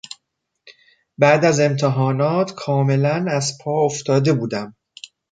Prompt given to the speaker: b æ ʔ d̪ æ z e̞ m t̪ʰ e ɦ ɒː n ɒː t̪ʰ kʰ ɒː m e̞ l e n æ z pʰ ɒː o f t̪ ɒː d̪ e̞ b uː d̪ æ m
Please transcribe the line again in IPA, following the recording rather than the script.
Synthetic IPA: b æ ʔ d̪ æ z e̞ m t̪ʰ e ɦ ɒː n ɒː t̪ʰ kʰ ɒː m e̞ l æ n æ z pʰ ɒː o f t̪ ɒː d̪ e̞ b uː d̪ æ m